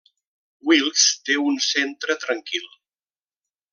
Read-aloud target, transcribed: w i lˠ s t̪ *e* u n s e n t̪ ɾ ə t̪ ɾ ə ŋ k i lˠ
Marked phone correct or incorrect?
correct